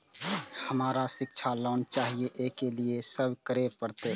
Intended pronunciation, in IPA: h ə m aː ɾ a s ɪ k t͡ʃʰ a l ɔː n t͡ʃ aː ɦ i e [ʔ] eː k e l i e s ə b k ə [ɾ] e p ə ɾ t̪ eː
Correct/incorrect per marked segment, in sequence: correct, correct

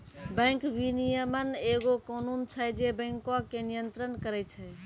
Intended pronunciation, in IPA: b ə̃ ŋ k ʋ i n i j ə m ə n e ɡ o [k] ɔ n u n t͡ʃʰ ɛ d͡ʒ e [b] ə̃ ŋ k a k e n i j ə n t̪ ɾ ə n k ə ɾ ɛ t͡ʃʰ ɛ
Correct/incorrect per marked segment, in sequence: correct, correct

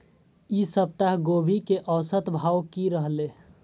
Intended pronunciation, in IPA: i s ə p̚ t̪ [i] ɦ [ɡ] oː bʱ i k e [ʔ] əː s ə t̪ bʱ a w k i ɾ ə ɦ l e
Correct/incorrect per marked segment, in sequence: incorrect, correct, correct

